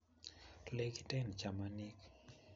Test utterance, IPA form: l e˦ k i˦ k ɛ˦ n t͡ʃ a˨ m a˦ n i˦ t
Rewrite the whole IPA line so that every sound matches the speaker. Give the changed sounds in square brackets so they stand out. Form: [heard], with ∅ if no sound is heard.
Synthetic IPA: l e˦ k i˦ [t] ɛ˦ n t͡ʃ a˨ m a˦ n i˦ [k]